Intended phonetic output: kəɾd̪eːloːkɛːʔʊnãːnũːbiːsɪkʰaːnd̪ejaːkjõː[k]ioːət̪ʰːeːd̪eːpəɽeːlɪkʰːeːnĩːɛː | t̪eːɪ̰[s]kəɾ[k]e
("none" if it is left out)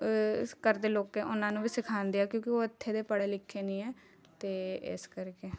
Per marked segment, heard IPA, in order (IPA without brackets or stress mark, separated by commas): k, s, k